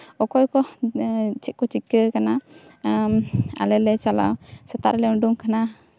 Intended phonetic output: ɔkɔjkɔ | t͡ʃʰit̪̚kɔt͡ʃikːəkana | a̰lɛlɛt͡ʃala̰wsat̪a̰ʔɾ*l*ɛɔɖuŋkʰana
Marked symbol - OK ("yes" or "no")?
yes